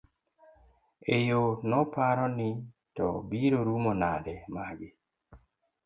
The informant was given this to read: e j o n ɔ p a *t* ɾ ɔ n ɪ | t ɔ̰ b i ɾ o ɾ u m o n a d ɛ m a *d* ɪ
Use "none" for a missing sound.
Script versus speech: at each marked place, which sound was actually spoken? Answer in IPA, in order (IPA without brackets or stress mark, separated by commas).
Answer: none, ɡ